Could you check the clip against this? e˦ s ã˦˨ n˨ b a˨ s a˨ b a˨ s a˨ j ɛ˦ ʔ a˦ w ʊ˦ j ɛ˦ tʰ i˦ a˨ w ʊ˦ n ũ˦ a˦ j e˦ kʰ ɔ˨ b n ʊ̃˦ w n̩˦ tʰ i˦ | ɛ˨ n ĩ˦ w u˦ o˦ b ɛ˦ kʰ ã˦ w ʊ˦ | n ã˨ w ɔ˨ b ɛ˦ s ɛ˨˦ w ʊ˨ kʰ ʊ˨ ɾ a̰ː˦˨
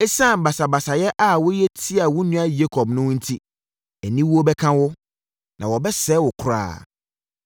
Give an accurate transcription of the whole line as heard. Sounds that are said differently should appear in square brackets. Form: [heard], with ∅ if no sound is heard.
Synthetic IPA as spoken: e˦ s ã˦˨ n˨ b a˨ s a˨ b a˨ s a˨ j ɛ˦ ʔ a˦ w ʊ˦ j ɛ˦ tʰ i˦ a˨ w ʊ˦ n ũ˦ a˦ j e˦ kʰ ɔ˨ b n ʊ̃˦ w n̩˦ tʰ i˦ | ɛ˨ n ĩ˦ w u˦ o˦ b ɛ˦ kʰ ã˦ w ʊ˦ | n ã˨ w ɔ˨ b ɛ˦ s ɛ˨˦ w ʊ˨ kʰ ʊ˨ ɾ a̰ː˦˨

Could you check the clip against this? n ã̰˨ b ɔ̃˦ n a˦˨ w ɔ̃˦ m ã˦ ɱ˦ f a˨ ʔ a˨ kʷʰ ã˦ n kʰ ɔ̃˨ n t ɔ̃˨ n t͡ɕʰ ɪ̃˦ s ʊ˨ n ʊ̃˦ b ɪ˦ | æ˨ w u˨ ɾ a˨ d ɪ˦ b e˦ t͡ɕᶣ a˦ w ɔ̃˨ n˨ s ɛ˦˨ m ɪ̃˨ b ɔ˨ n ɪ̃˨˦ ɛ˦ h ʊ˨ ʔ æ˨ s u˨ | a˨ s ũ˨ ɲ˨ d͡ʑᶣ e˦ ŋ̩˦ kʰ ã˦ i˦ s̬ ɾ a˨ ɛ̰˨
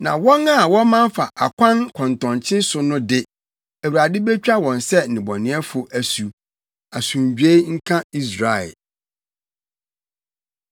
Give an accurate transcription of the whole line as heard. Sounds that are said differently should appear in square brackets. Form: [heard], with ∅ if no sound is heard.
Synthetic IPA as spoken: n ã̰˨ [w] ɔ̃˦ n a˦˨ w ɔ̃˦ m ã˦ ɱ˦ f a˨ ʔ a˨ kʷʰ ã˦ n kʰ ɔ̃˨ n t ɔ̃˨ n t͡ɕʰ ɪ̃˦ s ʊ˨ n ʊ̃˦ [d] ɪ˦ | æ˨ w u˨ ɾ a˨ d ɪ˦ b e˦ t͡ɕᶣ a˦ w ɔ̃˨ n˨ s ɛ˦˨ [n] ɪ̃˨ b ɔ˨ n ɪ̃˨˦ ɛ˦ [f] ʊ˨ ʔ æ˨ s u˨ | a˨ s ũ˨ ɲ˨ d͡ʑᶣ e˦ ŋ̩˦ kʰ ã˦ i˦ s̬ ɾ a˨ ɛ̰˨

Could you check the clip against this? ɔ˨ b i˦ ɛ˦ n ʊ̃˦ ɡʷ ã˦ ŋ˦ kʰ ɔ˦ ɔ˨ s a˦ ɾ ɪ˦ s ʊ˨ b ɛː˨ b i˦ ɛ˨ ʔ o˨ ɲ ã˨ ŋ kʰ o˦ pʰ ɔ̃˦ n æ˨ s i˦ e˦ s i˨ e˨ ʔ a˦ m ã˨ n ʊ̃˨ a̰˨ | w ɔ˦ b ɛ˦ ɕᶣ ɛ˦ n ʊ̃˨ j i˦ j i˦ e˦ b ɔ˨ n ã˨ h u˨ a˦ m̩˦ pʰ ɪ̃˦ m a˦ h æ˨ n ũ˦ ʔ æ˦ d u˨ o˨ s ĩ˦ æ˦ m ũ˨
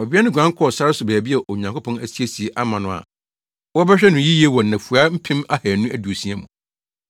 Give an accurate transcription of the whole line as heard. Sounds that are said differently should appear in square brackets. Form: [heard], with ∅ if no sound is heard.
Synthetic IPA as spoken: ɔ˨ b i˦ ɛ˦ n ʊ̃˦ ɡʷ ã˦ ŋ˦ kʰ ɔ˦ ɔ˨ s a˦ ɾ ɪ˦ s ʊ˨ b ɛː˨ b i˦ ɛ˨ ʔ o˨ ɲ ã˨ ŋ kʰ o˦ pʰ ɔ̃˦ n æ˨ s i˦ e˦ s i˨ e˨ ʔ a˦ m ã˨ n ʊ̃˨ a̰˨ | w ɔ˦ b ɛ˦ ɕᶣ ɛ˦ n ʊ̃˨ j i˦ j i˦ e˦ [w] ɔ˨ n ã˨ [f] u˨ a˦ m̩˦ pʰ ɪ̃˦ m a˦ h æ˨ n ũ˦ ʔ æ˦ d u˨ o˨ s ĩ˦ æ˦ m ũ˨

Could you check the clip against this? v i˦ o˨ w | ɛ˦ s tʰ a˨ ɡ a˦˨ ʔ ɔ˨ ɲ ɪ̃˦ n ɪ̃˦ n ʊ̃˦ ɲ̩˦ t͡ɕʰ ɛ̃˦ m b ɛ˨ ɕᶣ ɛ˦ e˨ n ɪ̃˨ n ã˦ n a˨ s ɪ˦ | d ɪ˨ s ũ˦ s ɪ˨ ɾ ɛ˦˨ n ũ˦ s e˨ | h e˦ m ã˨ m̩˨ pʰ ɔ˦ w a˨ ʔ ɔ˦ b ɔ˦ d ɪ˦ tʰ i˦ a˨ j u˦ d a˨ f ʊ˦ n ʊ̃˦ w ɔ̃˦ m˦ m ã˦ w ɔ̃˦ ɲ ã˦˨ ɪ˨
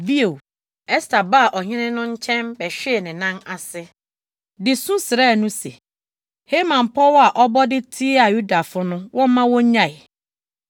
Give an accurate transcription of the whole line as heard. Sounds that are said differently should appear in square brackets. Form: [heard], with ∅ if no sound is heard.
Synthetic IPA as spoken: v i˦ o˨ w | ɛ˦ s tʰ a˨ [b] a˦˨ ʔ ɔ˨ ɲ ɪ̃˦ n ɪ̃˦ n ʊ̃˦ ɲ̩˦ t͡ɕʰ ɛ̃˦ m b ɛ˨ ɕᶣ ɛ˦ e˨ n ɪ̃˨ n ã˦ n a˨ s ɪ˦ | d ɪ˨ s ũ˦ s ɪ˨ ɾ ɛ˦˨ n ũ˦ s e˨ | h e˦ m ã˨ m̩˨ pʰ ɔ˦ w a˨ ʔ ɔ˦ b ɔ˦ d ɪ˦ tʰ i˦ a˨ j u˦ d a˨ f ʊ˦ n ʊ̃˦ w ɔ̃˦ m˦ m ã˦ w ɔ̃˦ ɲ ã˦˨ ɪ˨

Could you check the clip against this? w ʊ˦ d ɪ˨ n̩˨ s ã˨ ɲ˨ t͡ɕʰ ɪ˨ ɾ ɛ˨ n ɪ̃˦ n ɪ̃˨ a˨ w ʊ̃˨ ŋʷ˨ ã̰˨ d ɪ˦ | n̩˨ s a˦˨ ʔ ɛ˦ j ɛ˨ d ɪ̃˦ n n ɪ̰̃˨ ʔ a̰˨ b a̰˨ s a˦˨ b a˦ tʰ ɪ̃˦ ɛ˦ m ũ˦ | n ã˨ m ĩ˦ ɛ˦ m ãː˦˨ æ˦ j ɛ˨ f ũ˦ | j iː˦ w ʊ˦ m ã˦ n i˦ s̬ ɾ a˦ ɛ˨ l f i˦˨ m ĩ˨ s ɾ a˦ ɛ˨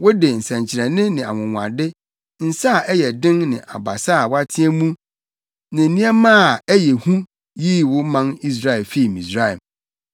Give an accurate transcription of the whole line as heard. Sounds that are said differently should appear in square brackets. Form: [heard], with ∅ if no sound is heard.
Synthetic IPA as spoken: w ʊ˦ d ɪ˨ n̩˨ s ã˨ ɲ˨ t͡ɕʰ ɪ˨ ɾ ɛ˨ n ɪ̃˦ n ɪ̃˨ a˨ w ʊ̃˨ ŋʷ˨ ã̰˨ d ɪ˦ | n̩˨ s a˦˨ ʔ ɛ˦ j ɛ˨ d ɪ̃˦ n n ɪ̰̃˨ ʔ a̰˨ b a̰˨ s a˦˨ [w] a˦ tʰ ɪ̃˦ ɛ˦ m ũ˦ | n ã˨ [n] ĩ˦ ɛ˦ m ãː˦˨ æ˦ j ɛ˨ [h] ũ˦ | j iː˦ w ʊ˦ m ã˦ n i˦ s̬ ɾ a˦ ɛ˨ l f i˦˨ m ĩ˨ s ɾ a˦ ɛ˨

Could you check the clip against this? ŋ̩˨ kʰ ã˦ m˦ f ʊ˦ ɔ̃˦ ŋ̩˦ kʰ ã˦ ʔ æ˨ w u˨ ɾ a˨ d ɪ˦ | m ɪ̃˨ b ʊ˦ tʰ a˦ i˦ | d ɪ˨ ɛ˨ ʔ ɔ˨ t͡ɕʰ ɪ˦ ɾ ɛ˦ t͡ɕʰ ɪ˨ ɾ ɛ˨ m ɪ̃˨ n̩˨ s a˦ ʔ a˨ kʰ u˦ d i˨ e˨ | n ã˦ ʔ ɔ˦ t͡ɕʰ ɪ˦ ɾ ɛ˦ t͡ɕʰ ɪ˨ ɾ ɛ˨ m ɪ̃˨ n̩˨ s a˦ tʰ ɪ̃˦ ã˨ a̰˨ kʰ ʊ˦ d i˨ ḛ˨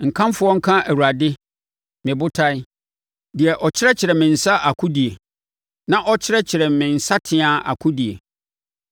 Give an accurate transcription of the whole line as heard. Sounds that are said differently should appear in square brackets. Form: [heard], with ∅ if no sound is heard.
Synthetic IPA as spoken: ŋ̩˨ kʰ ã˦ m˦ f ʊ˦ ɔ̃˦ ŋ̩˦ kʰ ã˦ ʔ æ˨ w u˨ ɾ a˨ d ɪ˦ | m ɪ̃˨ b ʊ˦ tʰ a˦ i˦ | d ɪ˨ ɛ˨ ʔ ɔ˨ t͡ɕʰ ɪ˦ ɾ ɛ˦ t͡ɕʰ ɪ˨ ɾ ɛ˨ m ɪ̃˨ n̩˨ s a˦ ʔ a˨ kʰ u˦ d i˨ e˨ | n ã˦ ʔ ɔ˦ t͡ɕʰ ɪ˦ ɾ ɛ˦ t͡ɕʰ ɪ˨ ɾ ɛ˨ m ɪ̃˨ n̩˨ s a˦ tʰ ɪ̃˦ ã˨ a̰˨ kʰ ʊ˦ d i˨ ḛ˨

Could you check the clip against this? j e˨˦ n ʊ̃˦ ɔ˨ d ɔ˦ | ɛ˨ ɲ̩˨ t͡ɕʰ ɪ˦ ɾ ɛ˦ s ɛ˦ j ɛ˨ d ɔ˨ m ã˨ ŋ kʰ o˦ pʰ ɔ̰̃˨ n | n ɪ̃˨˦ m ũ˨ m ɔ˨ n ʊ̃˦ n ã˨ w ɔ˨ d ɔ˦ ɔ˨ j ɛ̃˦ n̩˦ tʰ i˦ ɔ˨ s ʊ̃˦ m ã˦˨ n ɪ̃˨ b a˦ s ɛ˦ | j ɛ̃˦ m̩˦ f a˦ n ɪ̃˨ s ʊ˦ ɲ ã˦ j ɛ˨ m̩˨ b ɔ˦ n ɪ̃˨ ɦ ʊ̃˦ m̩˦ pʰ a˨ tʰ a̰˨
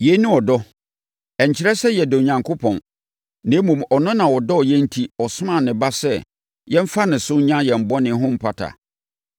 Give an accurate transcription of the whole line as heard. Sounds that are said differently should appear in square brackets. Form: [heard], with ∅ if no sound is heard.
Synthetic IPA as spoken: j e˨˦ n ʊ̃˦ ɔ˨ d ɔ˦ | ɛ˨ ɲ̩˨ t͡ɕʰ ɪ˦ ɾ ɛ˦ s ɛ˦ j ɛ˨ d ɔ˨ [ɲ] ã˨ ŋ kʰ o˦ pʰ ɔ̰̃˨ n | n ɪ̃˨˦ m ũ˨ m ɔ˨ n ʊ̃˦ n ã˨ w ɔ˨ d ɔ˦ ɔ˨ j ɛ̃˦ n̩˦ tʰ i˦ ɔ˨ s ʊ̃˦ m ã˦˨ n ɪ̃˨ b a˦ s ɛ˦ | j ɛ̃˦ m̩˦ f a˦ n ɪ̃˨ s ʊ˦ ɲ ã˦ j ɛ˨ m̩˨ b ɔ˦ n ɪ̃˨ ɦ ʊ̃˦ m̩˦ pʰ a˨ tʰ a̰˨

